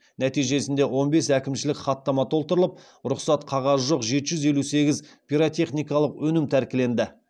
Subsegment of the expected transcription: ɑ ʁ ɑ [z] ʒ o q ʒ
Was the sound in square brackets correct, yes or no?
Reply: yes